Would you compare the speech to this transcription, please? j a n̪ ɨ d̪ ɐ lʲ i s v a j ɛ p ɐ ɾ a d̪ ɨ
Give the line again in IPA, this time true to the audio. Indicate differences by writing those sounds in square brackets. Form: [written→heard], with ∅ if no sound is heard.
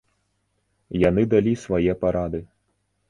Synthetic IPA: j a n̪ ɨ d̪ [ɐ→a] lʲ i s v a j ɛ p [ɐ→a] ɾ a d̪ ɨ